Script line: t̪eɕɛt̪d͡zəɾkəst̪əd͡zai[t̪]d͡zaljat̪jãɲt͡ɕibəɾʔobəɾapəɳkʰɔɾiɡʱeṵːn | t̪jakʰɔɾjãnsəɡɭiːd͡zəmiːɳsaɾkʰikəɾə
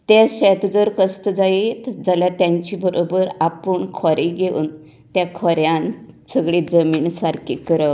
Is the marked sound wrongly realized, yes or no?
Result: no